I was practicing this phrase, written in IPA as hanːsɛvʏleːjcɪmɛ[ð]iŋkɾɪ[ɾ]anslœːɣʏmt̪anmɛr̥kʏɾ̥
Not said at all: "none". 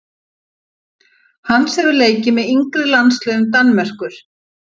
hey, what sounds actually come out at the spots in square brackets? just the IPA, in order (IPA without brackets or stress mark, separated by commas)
ð, l